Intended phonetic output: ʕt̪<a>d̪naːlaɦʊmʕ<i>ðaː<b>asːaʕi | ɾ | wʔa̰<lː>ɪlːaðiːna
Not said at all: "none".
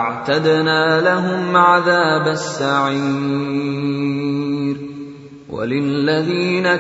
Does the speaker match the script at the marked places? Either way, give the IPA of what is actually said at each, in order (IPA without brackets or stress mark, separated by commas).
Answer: a, a, b, l